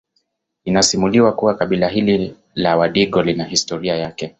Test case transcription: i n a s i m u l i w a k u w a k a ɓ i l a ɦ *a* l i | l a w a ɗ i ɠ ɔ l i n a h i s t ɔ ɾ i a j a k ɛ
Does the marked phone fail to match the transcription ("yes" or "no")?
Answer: yes